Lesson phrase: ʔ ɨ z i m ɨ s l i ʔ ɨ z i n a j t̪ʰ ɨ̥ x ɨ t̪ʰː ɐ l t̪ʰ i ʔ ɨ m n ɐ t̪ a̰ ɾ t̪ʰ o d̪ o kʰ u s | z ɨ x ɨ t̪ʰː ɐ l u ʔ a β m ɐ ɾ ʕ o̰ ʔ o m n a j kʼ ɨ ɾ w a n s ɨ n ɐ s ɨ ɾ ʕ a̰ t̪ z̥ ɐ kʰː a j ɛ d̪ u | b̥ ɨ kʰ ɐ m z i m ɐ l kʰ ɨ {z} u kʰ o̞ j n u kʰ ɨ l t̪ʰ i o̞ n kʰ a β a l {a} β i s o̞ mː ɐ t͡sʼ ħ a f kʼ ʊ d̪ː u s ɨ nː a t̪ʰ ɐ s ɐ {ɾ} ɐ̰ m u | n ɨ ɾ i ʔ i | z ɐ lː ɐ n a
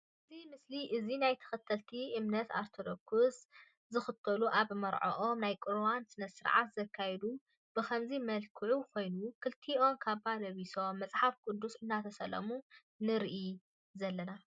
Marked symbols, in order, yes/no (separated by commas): no, no, no